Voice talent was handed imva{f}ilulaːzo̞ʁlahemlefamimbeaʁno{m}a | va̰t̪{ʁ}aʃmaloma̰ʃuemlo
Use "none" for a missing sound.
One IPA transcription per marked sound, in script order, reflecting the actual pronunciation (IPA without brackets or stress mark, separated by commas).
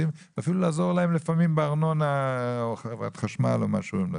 f, n, χ